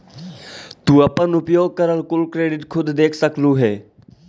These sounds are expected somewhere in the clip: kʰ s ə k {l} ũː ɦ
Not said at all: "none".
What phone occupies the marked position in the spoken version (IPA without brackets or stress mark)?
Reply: l